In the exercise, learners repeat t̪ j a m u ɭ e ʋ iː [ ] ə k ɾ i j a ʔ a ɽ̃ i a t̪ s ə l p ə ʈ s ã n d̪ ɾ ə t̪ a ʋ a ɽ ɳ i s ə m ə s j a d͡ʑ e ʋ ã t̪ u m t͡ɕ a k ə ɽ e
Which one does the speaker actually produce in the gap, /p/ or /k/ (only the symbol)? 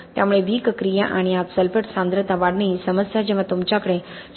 k